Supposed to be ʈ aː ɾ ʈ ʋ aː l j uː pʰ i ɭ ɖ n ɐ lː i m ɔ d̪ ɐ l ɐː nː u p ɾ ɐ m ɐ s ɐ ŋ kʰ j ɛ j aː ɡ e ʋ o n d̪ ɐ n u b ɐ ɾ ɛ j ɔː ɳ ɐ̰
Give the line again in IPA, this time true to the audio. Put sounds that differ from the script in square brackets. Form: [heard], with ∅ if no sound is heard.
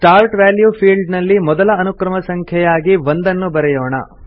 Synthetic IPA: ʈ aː ɾ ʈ ʋ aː l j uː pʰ [iː] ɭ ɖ n ɐ lː i m ɔ d̪ ɐ l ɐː [n] u [k] ɾ ɐ m ɐ s ɐ ŋ kʰ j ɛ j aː ɡ [i] ʋ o n d̪ ɐ [nː] u b ɐ ɾ ɛ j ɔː ɳ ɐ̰

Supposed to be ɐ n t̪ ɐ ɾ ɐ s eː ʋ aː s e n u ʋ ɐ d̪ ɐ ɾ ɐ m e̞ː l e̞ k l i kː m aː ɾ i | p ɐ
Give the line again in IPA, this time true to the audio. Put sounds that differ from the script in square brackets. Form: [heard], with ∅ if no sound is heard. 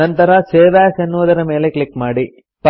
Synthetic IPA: ɐ n t̪ ɐ ɾ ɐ s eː ʋ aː s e [nː] u ʋ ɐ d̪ ɐ ɾ ɐ m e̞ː l e̞ k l i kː m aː [ɽ] i | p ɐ

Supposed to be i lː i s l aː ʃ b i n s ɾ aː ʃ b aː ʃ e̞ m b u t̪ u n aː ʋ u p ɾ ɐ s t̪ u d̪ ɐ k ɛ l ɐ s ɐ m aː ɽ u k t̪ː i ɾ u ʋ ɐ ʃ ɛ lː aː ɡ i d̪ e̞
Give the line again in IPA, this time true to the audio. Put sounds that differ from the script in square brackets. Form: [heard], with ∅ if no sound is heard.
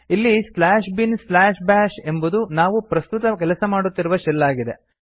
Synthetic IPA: i lː i s l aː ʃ b i n s [l] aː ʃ b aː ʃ e̞ m b u [d̪] u n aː ʋ u p ɾ ɐ s t̪ u [t̪] ɐ k ɛ l ɐ s ɐ m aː ɽ u [∅] t̪ː i ɾ u ʋ ɐ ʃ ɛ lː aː ɡ i d̪ e̞

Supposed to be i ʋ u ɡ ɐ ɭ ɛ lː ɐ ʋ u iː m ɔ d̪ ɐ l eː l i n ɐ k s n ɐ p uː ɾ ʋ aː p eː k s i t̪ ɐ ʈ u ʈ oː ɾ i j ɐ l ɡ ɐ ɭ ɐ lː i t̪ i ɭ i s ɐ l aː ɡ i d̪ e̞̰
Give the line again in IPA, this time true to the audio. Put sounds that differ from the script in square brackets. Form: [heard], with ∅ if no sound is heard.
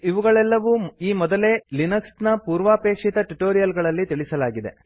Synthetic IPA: i ʋ u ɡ ɐ ɭ ɛ lː ɐ ʋ u iː m ɔ d̪ ɐ l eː l i n ɐ k s n ɐ p uː ɾ ʋ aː p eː k [ʂ] i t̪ ɐ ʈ u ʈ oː ɾ i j ɐ l ɡ ɐ ɭ ɐ lː i t̪ i ɭ i s ɐ l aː ɡ i d̪ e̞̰

